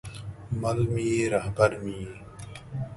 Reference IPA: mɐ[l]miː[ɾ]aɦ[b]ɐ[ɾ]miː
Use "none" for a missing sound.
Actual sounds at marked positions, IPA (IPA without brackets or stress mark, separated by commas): l, ɾ, b, ɾ